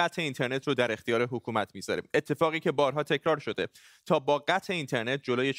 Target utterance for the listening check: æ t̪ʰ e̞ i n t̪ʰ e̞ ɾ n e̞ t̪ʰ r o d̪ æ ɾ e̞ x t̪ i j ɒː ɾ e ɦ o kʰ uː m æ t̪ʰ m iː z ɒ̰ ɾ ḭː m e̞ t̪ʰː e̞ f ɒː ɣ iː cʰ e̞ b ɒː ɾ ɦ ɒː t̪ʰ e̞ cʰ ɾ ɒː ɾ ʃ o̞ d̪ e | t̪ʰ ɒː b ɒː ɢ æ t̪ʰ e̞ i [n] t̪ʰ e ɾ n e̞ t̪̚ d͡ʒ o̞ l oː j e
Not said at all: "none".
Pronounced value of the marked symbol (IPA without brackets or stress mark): n